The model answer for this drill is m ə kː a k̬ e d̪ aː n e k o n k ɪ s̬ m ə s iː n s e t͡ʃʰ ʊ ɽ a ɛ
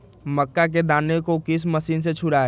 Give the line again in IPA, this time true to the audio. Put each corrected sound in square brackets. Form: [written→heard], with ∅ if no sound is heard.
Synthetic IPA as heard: m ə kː a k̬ e d̪ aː n e k o [n→∅] k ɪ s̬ m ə s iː n s e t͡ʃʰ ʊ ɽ a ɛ